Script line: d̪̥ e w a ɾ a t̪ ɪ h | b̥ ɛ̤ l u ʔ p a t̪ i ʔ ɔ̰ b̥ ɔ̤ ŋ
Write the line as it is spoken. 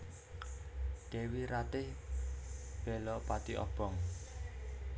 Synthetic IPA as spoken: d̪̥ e w i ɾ a t̪ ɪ h | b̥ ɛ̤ l ɔ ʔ p a t̪ i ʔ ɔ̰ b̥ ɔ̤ ŋ